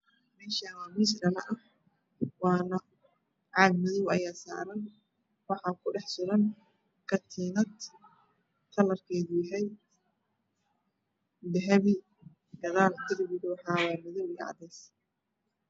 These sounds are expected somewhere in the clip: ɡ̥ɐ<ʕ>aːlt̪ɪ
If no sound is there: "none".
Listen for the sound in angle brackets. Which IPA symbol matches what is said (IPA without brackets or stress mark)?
ð